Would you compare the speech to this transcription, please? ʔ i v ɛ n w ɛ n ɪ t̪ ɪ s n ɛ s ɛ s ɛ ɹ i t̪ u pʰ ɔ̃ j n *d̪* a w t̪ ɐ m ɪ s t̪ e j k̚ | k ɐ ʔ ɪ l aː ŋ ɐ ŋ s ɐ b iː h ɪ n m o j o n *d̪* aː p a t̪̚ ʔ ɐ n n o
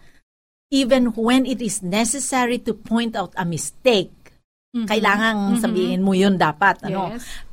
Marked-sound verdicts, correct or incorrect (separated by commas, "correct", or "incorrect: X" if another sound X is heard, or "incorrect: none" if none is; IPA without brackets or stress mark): incorrect: t̪, correct